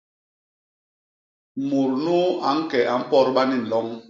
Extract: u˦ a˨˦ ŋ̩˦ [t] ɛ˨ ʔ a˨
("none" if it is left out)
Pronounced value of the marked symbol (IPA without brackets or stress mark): k